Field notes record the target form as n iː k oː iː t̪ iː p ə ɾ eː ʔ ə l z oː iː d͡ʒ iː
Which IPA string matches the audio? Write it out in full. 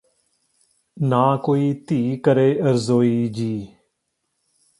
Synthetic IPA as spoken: n aː k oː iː t̪ iː k ə ɾ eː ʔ ə ɾ z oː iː d͡ʒ iː